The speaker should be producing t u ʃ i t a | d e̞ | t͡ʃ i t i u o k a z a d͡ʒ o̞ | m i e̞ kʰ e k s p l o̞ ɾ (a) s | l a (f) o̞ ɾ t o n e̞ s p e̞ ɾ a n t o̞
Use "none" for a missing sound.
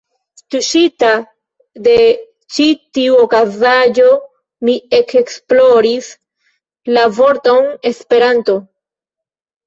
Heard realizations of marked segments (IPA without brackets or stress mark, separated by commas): i, v